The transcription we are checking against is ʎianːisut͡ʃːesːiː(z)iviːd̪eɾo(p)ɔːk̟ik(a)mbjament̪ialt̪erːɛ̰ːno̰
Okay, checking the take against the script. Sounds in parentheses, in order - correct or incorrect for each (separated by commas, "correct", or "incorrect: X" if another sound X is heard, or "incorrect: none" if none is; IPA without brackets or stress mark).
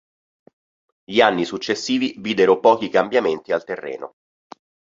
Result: incorrect: v, correct, correct